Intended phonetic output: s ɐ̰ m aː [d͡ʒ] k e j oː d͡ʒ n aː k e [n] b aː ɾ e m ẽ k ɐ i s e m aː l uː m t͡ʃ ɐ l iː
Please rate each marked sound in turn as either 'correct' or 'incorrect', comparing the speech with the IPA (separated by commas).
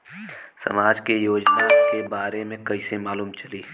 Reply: correct, incorrect